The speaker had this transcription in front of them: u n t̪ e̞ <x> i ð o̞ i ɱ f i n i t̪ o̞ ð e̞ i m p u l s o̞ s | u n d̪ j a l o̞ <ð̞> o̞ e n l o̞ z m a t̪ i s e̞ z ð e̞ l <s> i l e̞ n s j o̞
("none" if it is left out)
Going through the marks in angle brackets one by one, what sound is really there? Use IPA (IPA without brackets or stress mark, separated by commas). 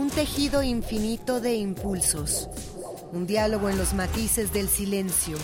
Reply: x, ɣ̞, s